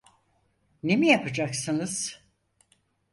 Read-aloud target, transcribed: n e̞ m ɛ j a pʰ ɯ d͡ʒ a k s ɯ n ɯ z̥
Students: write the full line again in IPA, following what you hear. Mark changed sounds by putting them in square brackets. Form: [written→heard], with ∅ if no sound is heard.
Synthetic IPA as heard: n e̞ m [ɛ→i] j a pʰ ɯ d͡ʒ a k s ɯ n ɯ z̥

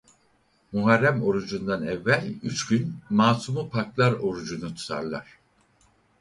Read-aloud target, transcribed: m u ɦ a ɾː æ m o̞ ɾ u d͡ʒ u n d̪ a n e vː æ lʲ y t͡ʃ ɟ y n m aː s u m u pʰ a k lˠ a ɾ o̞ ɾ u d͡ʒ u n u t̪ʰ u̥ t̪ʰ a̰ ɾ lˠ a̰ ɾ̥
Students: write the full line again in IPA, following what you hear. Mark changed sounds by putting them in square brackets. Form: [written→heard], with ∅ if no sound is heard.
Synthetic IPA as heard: m u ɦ a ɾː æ m o̞ ɾ u d͡ʒ u n d̪ a n [e→ɛ] vː æ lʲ y t͡ʃ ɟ y n m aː s u m u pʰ a k lˠ a ɾ o̞ ɾ u d͡ʒ u n u t̪ʰ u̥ t̪ʰ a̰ ɾ lˠ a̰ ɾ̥

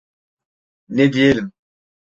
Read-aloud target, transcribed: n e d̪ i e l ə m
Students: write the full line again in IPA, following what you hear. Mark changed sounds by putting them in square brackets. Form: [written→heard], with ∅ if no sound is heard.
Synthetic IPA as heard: n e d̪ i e l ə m

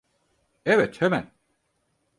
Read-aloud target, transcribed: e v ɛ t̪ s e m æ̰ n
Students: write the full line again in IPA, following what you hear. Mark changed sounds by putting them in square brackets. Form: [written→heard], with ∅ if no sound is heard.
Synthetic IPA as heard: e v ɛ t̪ [s→h] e m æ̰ n

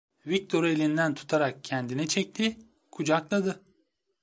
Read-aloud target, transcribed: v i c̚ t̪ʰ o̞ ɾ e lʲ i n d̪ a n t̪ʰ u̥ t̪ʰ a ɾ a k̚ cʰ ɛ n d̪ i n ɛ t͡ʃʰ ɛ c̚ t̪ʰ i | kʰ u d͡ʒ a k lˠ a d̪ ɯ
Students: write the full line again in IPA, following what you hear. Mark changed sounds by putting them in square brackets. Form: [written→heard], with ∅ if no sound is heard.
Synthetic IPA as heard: v i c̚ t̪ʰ o̞ ɾ e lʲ i n d̪ [a→æ] n t̪ʰ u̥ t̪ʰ a ɾ a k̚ cʰ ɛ n d̪ i n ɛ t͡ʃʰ ɛ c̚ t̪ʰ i | kʰ u d͡ʒ a k lˠ a d̪ ɯ

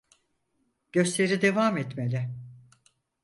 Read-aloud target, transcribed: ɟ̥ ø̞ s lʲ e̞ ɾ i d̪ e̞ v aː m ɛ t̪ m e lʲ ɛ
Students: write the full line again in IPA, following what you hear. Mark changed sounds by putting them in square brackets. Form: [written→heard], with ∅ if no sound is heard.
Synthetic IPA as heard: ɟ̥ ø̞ s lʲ e̞ ɾ i d̪ e̞ v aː m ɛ t̪ m e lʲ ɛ

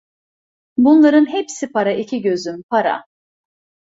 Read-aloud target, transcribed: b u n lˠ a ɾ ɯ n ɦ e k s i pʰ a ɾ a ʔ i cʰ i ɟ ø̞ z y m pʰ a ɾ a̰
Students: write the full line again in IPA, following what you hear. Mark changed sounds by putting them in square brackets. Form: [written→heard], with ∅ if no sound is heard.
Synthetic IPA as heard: b u n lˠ a ɾ ɯ n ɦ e [k→p] s i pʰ a ɾ a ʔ i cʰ i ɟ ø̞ z y m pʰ a ɾ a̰

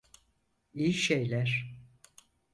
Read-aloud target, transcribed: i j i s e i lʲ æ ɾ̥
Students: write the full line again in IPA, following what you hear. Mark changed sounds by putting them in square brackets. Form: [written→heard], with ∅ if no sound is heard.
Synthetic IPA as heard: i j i [s→ʃ] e [i→j] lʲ æ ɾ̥

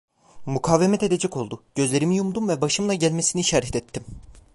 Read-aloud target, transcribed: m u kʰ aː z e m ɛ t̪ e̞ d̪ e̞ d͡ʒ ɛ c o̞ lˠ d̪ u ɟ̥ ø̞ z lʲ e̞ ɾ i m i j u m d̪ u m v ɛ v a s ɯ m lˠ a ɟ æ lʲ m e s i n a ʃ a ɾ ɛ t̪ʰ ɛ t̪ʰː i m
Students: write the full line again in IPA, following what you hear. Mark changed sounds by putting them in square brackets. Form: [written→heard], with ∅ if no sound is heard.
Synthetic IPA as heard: m u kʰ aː [z→v] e m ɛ t̪ e̞ d̪ e̞ d͡ʒ ɛ c o̞ lˠ d̪ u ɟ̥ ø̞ z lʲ e̞ ɾ i m i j u m d̪ u m v ɛ [v→b] a [s→ʃ] ɯ m lˠ a ɟ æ lʲ m e s i n [a→i] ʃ a ɾ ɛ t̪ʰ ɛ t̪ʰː i m

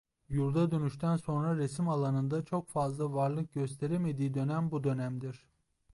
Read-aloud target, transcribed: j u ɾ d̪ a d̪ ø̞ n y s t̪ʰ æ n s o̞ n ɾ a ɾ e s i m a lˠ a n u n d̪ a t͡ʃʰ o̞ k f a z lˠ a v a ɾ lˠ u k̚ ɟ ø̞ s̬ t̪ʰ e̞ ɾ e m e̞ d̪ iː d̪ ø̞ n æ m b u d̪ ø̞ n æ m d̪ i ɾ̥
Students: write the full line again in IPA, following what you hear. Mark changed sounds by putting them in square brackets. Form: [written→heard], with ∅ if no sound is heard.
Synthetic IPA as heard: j u ɾ d̪ a d̪ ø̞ n y [s→ʃ] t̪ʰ æ n s o̞ n ɾ a ɾ e s i m a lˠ a n [u→ɯ] n d̪ a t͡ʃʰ o̞ k f a z lˠ a v a ɾ lˠ [u→ɯ] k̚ ɟ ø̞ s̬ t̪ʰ e̞ ɾ e m e̞ d̪ iː d̪ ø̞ n æ m b u d̪ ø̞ n æ m d̪ i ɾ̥

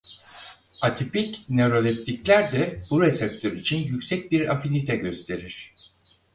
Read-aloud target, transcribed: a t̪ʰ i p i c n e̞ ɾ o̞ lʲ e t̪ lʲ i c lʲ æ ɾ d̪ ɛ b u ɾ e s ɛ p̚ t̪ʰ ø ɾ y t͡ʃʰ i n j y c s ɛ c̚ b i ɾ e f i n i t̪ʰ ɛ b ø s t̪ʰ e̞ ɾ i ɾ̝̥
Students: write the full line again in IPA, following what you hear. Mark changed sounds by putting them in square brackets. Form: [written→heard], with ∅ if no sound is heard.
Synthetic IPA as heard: a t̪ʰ i p i c n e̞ ɾ o̞ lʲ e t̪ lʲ i c lʲ æ ɾ d̪ ɛ b u ɾ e s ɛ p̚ t̪ʰ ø ɾ [y→i] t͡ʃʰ i n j y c s ɛ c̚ b i ɾ [e→a] f i n i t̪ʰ ɛ [b→ɟ] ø s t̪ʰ e̞ ɾ i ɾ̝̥

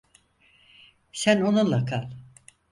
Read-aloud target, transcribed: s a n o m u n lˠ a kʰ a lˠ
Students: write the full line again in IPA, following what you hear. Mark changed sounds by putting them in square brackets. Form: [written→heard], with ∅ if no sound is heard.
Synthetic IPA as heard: s [a→æ] n o [m→n] u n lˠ a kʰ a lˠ

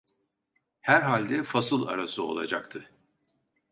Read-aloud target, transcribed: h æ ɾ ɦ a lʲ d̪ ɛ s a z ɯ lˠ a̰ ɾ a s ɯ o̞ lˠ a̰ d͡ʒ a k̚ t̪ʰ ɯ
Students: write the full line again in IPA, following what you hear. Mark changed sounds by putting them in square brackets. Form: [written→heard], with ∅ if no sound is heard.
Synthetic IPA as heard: h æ ɾ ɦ a lʲ d̪ ɛ [s→f] a [z→s] ɯ lˠ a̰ ɾ a s ɯ o̞ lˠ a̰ d͡ʒ a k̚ t̪ʰ ɯ

